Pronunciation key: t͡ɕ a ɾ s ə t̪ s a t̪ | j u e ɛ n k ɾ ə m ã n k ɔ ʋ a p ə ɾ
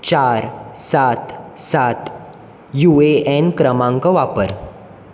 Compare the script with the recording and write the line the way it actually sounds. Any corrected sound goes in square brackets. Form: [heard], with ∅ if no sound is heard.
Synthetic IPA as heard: t͡ɕ a ɾ s [a] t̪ s a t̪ | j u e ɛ n k ɾ ə m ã [ŋ] k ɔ ʋ a p ə ɾ